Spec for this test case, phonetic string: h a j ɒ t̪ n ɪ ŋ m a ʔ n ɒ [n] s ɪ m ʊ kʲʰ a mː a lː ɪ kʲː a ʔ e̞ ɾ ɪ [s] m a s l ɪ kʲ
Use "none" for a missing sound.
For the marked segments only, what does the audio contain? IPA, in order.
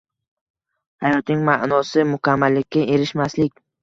none, ʃ

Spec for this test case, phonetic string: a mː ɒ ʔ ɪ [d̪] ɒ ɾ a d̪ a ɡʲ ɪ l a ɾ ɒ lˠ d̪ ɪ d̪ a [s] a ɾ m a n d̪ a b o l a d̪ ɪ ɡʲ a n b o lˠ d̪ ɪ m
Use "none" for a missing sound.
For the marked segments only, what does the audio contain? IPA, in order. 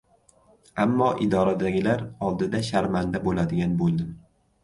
d̪, ʃ

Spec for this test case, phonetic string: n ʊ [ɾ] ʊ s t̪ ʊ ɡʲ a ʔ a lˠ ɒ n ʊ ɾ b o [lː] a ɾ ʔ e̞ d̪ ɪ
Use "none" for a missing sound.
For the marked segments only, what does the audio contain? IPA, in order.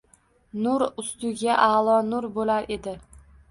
ɾ, l

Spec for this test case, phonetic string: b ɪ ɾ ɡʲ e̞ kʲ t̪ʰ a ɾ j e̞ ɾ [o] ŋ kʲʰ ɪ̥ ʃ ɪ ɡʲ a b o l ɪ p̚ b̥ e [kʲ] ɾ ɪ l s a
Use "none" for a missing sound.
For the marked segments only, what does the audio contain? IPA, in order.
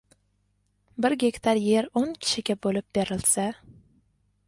o, none

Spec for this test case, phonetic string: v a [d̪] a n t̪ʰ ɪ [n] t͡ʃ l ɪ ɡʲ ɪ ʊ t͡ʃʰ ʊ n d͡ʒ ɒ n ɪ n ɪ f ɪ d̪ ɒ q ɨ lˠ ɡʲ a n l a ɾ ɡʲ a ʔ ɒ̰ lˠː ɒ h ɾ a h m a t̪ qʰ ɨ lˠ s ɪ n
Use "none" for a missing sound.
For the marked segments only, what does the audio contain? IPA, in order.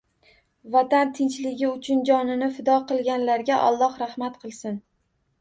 t̪, n

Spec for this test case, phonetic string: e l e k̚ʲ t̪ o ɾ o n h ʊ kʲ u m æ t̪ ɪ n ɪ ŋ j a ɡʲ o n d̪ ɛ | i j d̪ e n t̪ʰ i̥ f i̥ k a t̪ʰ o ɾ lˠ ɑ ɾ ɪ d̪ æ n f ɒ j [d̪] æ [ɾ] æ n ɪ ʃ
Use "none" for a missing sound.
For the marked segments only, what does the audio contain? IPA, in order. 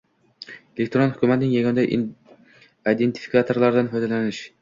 d̪, l

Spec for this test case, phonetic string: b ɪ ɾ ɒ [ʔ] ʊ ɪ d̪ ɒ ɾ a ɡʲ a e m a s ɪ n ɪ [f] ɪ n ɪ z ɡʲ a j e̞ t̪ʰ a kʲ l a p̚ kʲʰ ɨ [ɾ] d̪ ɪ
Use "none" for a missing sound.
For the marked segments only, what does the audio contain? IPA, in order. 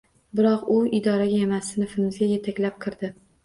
q, f, ɾ

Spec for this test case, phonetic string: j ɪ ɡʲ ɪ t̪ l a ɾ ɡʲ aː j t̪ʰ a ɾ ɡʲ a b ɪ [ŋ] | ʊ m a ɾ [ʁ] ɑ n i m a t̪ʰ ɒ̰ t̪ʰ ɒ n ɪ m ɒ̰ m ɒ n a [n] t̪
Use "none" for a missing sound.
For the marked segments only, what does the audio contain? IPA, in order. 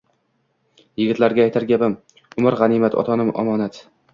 m, ʁ, none

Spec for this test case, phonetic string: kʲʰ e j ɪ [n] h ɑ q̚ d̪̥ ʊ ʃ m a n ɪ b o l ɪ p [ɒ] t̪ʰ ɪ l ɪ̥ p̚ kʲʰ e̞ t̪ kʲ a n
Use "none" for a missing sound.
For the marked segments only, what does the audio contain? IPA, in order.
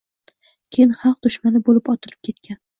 n, ɒ

